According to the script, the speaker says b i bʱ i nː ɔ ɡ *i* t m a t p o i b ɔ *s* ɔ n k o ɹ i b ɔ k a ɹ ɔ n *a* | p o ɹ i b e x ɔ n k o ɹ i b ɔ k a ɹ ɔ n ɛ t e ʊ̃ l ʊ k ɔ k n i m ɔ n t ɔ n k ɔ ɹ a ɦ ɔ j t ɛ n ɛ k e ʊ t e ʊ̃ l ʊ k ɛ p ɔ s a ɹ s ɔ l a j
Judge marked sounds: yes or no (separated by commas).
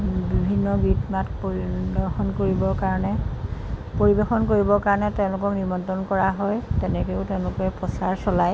yes, no, no